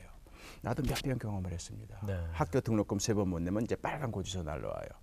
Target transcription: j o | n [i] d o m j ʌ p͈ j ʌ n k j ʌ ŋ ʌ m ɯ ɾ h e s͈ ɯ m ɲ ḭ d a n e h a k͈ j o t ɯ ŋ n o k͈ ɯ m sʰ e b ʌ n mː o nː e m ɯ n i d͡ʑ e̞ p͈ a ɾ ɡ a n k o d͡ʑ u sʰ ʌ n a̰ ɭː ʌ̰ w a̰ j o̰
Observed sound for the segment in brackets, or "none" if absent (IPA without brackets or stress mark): a